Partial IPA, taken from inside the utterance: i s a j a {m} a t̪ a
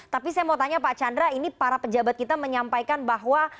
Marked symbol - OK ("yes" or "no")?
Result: yes